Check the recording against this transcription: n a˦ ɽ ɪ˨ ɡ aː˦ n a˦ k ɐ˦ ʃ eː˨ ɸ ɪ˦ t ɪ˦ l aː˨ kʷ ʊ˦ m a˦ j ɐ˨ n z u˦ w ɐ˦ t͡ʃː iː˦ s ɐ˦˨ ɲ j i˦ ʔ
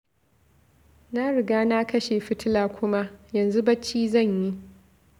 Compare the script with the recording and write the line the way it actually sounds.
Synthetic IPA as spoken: n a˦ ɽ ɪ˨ ɡ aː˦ n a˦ k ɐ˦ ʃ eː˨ ɸ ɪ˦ t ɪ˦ l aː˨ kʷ ʊ˦ m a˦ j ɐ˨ n z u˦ b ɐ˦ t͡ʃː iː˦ z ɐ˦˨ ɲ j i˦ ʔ